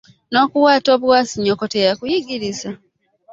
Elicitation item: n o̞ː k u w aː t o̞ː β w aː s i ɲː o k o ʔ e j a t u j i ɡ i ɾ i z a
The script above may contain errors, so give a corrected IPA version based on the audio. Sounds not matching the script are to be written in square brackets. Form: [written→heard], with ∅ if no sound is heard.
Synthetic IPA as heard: n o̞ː k u w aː t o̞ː β w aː s i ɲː o k o [ʔ→t] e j a [t→k] u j i ɡ i ɾ i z a